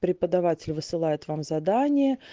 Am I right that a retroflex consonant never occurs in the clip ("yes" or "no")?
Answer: yes